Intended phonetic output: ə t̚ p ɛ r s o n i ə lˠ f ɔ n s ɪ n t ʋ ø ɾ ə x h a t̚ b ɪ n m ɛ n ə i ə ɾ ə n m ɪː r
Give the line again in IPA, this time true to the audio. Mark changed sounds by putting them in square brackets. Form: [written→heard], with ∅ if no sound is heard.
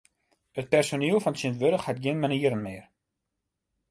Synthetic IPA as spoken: ə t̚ p ɛ r s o n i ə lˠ f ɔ n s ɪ n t ʋ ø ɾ ə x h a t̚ [b→ɡ] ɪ n m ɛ n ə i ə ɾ ə n m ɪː r